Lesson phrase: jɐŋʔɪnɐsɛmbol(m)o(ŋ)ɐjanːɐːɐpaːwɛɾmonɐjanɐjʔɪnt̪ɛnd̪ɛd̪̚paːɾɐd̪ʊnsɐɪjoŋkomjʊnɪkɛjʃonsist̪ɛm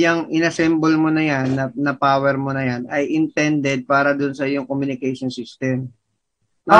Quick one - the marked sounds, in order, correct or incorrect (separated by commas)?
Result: correct, incorrect